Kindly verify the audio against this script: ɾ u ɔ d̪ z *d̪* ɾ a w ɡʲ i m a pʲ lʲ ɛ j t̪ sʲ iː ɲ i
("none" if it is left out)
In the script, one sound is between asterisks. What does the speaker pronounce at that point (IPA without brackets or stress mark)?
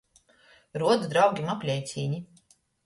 d̪